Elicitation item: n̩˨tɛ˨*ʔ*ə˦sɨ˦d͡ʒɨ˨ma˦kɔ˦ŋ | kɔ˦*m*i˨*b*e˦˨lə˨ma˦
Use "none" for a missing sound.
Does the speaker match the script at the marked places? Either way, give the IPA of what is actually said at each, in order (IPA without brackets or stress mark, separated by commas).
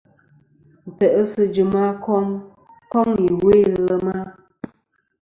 ʔ, ŋ, w